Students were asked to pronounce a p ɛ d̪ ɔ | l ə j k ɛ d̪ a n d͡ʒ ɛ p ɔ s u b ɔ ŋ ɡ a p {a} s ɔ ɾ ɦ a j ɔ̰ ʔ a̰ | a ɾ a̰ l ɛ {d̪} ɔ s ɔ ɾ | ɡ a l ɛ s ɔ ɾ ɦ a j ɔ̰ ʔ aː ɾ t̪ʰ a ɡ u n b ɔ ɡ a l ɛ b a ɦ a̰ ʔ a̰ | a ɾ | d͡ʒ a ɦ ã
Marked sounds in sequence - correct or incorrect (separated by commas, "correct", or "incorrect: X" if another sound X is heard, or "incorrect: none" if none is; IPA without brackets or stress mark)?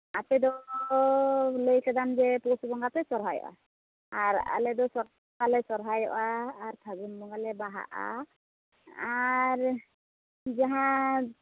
incorrect: ɛ, correct